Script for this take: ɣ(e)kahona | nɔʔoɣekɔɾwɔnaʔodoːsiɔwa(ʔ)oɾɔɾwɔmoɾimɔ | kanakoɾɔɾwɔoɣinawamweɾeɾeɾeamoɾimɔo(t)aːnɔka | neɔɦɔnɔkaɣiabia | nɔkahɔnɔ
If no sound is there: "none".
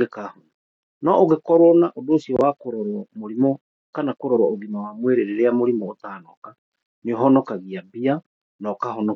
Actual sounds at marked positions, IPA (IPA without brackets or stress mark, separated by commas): e, k, t